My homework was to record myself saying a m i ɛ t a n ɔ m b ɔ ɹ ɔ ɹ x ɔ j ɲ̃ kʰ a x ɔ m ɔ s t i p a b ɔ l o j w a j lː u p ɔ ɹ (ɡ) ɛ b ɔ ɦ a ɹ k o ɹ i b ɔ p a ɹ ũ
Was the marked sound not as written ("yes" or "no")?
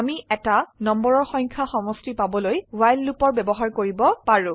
yes